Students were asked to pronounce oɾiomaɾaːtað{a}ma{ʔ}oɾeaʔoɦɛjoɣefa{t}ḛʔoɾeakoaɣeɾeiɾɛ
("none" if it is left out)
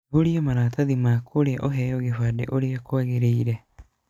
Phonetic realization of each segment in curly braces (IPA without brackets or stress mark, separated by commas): i, k, d